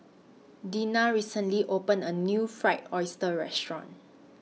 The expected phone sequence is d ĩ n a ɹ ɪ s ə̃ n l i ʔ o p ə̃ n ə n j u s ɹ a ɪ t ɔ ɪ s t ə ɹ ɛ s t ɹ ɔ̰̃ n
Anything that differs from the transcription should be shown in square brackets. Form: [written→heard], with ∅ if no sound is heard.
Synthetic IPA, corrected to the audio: d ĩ n a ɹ [ɪ→i] s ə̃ n l i ʔ o p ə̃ n ə n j u [s→f] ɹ a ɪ t ɔ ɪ s t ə ɹ ɛ s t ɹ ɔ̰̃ n